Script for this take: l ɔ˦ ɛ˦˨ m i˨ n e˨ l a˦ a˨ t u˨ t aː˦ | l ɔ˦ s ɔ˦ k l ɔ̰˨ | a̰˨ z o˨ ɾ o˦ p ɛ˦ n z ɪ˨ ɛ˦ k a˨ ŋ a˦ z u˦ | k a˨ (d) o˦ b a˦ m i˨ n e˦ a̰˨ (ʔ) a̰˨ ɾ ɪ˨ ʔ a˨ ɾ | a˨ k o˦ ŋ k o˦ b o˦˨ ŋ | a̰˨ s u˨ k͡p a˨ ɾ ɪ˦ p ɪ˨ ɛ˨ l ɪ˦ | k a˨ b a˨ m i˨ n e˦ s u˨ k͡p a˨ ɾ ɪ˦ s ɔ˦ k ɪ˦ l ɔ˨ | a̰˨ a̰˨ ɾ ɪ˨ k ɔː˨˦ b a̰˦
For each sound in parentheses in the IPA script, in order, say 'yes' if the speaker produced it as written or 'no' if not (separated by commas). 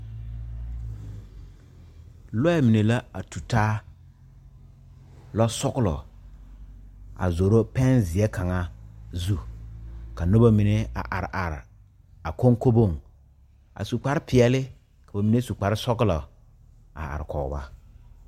no, yes